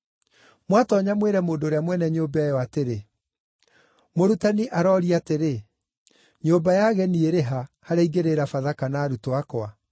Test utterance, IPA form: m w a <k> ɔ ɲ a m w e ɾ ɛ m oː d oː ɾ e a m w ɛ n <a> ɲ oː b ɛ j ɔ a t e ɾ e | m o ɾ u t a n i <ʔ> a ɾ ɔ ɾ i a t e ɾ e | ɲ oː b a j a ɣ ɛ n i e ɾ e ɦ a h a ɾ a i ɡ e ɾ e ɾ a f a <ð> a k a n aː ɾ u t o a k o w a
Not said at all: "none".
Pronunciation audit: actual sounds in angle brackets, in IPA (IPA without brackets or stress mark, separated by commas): t, ɛ, ʔ, ð